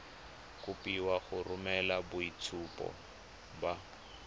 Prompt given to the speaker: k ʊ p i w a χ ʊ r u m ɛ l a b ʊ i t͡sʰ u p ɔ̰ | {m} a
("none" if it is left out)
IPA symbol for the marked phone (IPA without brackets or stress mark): b